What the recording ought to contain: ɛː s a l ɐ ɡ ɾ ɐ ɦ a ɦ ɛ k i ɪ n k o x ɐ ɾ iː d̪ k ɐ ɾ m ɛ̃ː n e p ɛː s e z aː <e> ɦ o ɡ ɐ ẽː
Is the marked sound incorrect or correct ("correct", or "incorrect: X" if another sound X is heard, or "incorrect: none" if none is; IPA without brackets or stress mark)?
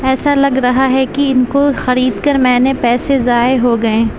correct